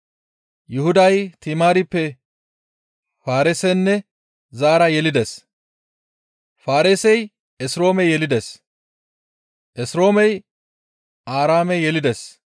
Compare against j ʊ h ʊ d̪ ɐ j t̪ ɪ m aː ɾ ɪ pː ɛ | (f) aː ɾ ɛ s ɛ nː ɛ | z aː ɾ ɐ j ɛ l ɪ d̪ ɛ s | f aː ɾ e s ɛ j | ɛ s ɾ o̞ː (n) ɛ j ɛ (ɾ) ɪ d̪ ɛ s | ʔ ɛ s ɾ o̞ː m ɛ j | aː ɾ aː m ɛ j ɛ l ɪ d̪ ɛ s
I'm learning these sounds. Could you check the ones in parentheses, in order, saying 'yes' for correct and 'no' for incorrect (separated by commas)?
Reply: yes, no, no